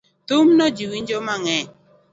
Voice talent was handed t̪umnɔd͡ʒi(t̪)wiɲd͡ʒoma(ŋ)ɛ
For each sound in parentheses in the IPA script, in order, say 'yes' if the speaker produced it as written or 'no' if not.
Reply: no, yes

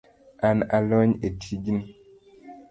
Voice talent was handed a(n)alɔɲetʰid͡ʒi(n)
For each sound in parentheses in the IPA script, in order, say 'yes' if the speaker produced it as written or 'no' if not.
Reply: yes, yes

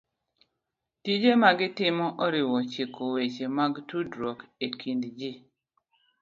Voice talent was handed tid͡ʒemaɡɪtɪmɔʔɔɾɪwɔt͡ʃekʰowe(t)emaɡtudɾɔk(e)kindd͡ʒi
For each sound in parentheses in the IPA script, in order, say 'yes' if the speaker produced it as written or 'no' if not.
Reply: no, yes

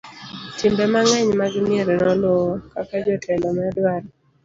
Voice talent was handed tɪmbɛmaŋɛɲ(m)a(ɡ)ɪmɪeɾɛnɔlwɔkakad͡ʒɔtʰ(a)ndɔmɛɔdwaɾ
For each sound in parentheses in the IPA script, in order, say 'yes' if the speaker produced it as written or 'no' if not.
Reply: yes, yes, no

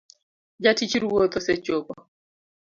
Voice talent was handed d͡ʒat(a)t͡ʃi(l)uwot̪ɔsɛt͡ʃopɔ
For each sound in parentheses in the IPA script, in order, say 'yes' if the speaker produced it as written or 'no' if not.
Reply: no, no

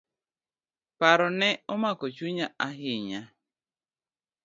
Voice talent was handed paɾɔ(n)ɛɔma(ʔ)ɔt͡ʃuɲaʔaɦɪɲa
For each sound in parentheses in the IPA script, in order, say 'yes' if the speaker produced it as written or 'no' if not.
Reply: yes, no

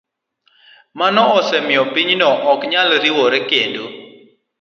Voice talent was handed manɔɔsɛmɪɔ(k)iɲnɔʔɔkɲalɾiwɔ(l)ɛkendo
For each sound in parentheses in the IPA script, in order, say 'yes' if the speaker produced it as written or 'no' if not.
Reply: no, no

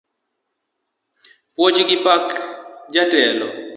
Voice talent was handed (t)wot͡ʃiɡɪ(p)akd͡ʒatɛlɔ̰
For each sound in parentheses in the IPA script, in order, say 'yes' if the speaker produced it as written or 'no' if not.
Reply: no, yes

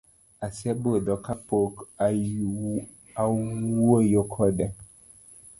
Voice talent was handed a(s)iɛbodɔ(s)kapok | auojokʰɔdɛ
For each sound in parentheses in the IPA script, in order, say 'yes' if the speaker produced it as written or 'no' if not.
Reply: yes, no

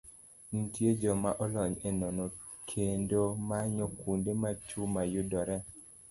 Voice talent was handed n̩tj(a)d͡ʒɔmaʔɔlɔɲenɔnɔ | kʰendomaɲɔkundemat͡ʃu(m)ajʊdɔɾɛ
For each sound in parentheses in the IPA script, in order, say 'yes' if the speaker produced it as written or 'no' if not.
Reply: no, yes

